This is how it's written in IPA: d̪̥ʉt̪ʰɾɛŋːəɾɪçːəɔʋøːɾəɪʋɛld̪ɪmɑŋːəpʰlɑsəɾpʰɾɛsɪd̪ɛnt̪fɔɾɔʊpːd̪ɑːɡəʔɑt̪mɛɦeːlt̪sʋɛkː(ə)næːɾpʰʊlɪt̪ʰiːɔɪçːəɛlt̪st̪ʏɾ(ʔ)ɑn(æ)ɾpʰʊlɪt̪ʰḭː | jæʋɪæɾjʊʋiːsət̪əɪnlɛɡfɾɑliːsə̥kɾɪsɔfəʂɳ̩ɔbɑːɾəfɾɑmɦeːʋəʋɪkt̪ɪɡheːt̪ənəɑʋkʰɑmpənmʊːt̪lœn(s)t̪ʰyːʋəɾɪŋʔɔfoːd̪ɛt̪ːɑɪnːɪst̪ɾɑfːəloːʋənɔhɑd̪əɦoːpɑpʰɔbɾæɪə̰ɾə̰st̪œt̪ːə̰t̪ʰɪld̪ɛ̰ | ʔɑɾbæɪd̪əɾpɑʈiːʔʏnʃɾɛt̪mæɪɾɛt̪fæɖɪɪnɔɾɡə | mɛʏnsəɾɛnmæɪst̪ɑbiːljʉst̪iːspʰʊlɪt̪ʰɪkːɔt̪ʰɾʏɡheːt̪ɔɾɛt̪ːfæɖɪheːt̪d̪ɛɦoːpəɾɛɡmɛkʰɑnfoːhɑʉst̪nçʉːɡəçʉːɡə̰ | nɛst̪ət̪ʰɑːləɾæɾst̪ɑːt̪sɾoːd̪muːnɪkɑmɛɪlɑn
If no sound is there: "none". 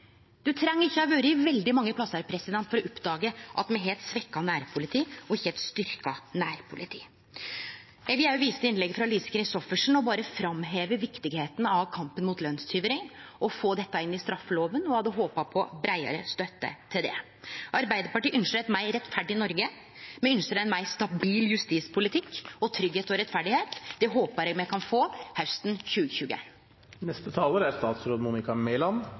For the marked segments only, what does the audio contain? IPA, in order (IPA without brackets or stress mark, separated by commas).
ɑ, k, æː, s